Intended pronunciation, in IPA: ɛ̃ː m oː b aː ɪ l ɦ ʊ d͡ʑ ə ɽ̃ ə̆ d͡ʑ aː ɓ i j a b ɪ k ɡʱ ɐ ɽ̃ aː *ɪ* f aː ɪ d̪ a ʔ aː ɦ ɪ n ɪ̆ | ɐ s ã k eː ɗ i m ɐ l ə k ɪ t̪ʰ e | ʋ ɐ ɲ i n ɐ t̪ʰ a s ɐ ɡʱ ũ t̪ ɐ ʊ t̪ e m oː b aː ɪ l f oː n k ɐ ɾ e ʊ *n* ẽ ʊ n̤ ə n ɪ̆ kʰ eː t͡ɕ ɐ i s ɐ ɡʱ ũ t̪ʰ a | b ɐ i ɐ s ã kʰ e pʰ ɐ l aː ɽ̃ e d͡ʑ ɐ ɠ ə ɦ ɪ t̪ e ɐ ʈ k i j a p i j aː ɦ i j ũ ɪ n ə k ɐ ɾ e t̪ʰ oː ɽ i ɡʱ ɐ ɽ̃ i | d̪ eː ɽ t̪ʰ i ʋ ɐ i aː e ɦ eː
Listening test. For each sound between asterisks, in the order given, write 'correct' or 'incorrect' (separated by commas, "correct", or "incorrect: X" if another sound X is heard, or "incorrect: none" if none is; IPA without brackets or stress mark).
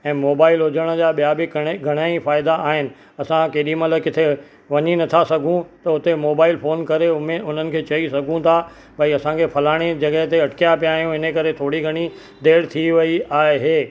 incorrect: i, incorrect: m